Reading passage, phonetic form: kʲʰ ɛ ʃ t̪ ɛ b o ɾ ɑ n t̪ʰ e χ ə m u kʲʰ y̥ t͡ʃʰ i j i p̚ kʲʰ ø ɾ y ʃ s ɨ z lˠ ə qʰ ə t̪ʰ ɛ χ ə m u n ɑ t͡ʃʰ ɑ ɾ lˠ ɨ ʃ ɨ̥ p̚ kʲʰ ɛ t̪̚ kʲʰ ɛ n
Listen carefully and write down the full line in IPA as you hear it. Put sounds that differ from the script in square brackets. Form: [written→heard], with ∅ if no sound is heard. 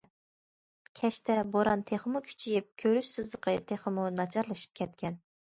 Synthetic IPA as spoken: kʲʰ ɛ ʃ t̪ ɛ b o ɾ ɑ n t̪ʰ e χ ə m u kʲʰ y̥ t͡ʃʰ i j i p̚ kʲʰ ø ɾ y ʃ s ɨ z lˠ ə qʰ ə t̪ʰ [ɛ→e] χ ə m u n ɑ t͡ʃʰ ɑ ɾ lˠ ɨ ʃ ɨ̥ p̚ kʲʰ ɛ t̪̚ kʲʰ ɛ n

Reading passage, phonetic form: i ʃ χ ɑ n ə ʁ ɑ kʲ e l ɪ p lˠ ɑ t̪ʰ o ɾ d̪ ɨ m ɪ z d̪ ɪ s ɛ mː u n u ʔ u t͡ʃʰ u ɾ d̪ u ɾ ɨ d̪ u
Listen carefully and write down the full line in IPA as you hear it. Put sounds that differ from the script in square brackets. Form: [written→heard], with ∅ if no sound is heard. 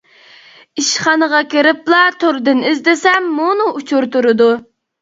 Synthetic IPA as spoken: i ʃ χ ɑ n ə ʁ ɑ kʲ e [l→ɾ] ɪ p lˠ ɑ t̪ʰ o ɾ d̪ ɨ [m→n] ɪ z d̪ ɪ s ɛ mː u n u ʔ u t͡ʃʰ u ɾ [d̪→t̪] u ɾ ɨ d̪ u

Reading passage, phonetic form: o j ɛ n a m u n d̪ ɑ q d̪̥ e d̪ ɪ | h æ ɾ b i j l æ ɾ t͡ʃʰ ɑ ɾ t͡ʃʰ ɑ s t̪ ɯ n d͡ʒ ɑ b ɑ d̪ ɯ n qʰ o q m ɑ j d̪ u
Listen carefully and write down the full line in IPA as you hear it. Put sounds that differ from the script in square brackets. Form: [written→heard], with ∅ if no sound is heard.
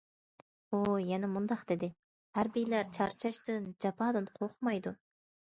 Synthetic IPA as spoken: o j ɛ n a m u n d̪ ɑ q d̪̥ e d̪ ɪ | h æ ɾ b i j l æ ɾ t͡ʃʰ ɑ ɾ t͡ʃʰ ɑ [s→ʃ] t̪ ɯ n d͡ʒ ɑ [b→p] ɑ d̪ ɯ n qʰ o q m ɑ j d̪ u

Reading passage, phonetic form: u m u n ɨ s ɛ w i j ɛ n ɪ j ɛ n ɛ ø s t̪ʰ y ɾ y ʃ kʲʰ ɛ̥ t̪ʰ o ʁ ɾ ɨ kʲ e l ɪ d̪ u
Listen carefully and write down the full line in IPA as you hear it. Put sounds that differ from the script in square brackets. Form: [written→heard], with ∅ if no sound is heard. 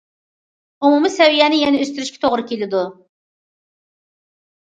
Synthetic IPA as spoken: u m u [n→m] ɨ s ɛ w i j ɛ n ɪ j ɛ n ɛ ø s [t̪ʰ→t̪] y ɾ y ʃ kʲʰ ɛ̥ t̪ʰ o ʁ ɾ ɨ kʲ e l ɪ d̪ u

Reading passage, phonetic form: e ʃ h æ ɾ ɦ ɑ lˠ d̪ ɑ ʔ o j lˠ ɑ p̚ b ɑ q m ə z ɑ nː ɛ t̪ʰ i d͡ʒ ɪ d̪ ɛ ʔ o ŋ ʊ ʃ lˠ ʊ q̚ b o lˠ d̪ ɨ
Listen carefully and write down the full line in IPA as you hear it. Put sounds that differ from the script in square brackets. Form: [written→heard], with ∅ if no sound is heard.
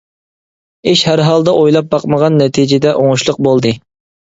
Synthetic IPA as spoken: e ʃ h æ ɾ ɦ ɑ lˠ d̪ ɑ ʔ o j lˠ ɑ p̚ b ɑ q m ə [z→ʁ] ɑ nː ɛ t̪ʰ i d͡ʒ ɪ d̪ ɛ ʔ o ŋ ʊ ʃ lˠ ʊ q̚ b o lˠ d̪ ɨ

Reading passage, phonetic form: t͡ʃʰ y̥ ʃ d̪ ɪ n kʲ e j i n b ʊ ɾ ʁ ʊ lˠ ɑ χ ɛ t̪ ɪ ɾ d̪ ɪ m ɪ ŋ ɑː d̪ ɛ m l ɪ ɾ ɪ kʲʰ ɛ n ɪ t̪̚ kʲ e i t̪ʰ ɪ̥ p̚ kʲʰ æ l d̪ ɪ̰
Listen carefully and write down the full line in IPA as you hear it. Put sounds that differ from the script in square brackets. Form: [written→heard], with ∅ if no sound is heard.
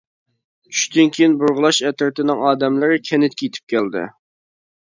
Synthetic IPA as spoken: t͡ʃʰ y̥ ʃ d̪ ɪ n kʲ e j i n b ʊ ɾ ʁ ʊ lˠ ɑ [χ→ʃ] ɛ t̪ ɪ ɾ [d̪→t̪] ɪ [m→n] ɪ ŋ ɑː d̪ ɛ m l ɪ ɾ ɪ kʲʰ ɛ n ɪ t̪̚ kʲ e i t̪ʰ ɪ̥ p̚ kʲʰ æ l d̪ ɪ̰

